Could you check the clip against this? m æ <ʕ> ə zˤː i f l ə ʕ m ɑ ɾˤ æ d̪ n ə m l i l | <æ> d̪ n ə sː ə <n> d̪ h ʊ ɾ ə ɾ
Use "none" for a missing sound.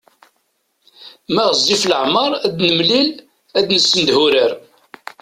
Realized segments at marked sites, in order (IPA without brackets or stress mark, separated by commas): ʁ, æ, n